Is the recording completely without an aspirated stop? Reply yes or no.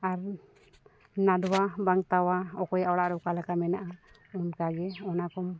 yes